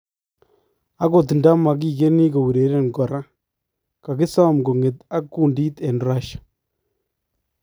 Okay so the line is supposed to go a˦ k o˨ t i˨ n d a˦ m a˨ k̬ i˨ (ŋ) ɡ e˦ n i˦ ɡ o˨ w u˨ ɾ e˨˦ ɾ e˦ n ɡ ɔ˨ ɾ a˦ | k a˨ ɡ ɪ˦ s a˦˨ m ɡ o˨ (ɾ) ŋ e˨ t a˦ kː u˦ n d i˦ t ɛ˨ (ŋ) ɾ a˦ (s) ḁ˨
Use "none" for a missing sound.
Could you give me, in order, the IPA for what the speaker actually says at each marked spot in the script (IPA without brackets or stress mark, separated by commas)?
none, none, n, ʃ